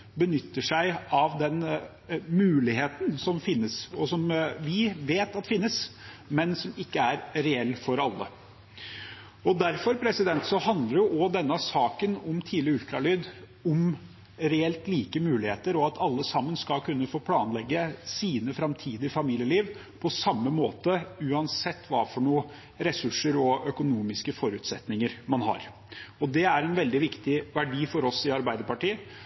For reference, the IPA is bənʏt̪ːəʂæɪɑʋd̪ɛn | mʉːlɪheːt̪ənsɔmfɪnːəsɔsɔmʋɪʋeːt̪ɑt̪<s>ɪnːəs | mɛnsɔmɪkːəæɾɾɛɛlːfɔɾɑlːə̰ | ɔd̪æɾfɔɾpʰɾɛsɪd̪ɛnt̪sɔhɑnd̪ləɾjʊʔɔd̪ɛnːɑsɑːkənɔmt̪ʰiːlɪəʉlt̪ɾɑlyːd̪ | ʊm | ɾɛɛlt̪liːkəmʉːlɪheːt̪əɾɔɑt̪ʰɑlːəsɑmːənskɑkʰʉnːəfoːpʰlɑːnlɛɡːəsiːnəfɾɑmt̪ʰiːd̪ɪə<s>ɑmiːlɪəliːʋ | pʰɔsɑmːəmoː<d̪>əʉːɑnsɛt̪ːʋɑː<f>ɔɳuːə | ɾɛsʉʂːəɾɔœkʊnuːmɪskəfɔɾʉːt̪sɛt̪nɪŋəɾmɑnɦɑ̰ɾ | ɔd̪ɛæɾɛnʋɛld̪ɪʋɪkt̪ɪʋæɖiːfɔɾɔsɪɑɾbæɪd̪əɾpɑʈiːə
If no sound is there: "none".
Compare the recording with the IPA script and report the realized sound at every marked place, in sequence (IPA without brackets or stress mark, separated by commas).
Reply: f, f, t̪, f